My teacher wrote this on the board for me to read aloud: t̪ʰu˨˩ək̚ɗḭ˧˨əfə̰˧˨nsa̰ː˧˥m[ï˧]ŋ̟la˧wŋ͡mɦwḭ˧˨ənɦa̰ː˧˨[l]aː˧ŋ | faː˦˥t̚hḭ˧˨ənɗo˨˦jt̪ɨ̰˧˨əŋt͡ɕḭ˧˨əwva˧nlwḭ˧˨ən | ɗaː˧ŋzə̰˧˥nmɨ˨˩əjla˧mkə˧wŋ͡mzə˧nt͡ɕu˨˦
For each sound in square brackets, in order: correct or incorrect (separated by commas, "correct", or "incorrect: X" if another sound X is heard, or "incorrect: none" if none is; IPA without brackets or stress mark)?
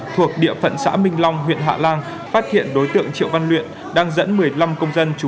correct, correct